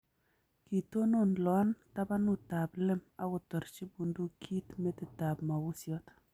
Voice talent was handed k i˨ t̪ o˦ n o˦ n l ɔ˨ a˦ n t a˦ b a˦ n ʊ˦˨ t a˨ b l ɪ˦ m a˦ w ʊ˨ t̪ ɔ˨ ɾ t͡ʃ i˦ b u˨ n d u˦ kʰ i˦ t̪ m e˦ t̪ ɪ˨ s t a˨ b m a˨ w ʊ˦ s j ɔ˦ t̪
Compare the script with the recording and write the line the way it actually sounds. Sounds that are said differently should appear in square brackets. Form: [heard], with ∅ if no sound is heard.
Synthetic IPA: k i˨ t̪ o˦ n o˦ n l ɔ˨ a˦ n t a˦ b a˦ n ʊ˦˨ t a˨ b l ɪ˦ m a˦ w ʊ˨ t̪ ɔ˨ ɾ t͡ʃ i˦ b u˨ n d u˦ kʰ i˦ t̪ m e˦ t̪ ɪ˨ [∅] t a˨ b m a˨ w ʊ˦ s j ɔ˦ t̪